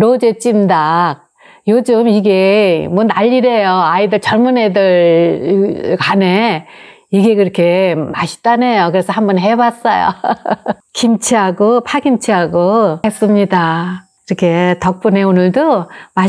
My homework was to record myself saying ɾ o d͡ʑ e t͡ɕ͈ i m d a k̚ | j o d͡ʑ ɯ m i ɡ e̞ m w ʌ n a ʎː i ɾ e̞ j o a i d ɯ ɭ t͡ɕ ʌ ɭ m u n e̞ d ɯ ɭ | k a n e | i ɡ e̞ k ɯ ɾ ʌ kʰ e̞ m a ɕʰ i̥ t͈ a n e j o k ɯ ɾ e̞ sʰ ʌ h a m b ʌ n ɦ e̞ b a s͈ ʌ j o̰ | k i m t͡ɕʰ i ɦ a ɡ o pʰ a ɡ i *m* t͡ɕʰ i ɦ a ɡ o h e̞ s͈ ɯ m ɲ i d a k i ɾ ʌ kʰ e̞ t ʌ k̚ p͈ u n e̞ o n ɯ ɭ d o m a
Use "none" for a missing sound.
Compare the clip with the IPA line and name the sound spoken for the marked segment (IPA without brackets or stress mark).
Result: m